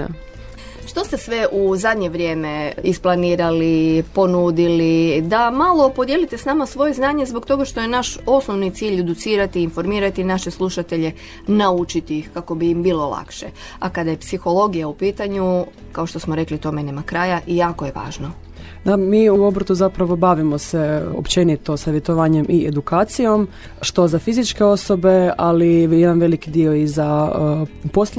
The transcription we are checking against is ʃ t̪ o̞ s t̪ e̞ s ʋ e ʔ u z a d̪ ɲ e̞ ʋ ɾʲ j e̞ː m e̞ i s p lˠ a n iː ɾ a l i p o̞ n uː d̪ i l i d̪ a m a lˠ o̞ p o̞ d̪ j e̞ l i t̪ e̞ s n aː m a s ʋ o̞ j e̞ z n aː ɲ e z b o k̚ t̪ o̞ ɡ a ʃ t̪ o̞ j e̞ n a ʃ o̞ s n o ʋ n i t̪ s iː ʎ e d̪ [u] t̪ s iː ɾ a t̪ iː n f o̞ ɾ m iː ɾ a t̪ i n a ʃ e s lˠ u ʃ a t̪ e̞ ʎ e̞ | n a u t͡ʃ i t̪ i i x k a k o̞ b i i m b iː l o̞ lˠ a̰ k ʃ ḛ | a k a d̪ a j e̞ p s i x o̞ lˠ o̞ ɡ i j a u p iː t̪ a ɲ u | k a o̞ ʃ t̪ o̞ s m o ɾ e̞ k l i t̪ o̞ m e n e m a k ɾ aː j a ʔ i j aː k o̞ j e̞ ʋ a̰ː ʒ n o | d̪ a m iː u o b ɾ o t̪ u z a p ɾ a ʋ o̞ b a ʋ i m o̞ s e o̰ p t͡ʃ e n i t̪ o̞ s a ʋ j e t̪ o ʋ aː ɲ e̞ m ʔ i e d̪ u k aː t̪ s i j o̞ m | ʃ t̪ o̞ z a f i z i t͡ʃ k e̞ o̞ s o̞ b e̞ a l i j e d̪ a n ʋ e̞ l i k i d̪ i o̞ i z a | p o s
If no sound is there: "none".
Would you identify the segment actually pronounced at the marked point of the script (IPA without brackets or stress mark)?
u